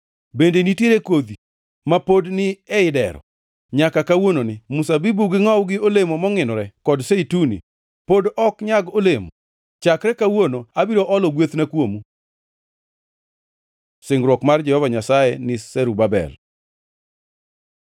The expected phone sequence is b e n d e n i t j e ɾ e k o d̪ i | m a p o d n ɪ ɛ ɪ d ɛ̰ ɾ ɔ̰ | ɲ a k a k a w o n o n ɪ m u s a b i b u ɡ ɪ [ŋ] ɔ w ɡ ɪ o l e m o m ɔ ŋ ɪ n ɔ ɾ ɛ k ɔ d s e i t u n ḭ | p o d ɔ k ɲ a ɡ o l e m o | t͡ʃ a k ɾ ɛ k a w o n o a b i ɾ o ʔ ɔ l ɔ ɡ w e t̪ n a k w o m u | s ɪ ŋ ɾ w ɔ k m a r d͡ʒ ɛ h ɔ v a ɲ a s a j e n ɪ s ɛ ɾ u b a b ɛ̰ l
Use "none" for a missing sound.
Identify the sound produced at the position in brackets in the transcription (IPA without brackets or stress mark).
ŋ